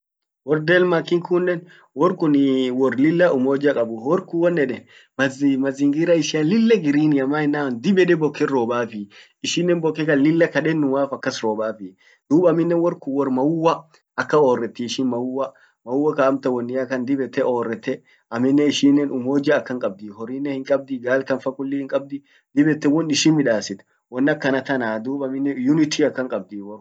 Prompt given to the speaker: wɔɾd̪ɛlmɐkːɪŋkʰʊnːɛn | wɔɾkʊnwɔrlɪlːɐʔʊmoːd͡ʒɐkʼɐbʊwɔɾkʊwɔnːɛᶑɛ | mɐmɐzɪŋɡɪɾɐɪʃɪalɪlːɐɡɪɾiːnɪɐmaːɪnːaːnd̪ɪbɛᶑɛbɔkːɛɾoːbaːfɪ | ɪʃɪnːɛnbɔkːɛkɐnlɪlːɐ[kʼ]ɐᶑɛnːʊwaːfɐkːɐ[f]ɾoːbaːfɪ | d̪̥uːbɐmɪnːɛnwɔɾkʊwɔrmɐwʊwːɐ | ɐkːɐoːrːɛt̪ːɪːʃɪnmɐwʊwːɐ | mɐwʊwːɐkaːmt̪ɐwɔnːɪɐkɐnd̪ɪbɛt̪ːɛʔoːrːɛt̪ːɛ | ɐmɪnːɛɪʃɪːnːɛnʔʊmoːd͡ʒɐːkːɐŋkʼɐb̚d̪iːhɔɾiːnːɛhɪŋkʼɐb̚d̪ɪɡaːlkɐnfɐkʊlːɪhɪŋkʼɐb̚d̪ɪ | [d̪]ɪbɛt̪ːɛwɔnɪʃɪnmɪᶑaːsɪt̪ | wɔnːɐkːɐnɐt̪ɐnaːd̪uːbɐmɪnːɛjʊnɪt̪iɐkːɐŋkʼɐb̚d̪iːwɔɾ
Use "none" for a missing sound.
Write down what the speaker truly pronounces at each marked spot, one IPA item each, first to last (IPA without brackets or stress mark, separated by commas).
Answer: k, s, d̪